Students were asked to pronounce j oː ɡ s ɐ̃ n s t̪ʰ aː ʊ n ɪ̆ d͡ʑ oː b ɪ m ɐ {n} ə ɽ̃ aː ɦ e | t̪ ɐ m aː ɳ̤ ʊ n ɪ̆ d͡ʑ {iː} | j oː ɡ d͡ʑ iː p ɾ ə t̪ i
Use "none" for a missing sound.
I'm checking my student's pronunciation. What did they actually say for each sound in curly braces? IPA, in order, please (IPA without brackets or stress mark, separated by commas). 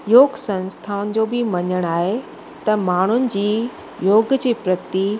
ɲ, iː